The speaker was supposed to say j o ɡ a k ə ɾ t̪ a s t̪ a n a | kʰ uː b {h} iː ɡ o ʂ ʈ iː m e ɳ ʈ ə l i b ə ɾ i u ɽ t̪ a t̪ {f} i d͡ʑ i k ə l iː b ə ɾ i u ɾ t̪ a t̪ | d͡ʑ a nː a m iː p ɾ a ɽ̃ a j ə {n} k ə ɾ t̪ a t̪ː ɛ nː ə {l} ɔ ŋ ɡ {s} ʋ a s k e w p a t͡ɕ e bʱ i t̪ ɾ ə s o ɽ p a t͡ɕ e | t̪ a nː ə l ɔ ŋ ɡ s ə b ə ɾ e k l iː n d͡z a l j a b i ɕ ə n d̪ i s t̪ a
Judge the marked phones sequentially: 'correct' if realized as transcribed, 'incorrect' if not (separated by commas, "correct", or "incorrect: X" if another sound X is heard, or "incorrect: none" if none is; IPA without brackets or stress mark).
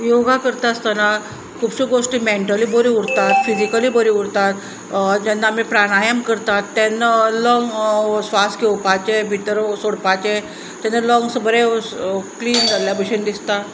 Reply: incorrect: ɕ, correct, incorrect: m, correct, correct